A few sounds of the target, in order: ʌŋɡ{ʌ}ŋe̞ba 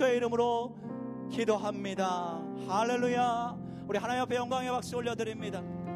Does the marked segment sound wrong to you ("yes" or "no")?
yes